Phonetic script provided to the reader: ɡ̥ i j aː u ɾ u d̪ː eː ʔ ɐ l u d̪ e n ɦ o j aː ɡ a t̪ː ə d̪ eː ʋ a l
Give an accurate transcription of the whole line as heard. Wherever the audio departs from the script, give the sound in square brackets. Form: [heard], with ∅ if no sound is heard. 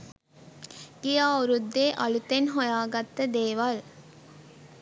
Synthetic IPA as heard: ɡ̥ i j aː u ɾ u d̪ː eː ʔ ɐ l u [t̪] e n ɦ o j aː ɡ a t̪ː ə d̪ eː ʋ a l